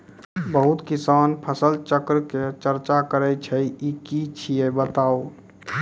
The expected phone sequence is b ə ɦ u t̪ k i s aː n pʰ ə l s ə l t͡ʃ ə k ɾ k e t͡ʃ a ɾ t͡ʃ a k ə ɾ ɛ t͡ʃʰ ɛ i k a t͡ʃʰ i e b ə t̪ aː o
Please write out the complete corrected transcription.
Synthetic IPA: b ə ɦ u t̪ k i s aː n pʰ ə s ə l t͡ʃ ə k ɾ k e t͡ʃ ə ɾ t͡ʃ a k ə ɾ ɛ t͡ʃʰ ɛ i k i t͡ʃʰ i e b ə t̪ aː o